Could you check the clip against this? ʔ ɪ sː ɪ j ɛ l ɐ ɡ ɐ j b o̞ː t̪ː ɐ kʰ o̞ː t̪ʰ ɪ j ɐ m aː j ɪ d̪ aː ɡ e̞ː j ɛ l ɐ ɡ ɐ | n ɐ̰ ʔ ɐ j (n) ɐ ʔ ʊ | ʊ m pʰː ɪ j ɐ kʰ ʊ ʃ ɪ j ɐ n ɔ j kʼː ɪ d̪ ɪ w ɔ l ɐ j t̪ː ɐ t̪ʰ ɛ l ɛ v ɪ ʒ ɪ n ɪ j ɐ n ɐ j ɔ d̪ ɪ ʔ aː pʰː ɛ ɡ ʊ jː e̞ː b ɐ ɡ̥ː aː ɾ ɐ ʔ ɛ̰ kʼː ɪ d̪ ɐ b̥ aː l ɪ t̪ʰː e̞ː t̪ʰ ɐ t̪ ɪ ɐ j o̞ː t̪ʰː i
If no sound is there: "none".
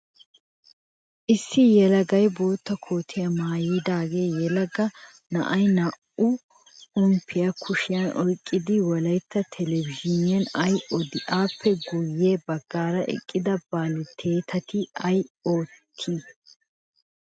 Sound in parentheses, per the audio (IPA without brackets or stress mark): n